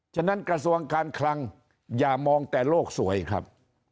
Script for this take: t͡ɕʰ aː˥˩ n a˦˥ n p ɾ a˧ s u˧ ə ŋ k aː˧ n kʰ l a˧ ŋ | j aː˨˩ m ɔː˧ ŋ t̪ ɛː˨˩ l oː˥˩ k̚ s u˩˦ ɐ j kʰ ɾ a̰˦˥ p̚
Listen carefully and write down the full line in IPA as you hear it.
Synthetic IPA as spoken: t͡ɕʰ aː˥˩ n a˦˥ n k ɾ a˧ s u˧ ə ŋ k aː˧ n kʰ l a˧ ŋ | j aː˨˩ m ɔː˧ ŋ t̪ ɛː˨˩ l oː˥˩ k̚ s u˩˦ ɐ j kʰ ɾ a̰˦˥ p̚